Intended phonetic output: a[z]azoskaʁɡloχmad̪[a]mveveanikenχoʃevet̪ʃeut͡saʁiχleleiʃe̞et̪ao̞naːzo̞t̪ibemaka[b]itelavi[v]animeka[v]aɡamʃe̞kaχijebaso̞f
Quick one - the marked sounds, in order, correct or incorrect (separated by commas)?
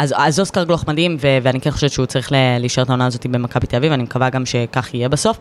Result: correct, incorrect, correct, correct, correct